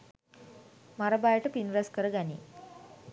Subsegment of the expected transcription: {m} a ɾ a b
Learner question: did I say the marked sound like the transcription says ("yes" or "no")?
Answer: yes